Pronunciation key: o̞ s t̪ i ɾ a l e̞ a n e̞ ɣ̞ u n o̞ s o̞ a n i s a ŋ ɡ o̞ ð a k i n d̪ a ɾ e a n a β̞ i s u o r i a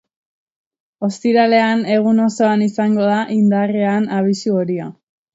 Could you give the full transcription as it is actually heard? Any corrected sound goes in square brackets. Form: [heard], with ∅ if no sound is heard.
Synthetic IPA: o̞ s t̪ i ɾ a l e̞ a n e̞ ɣ̞ u n o̞ s o̞ a n i s a ŋ ɡ o̞ ð a [ʔ] i n d̪ a [r] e a n a β̞ i s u o [ɾ] i a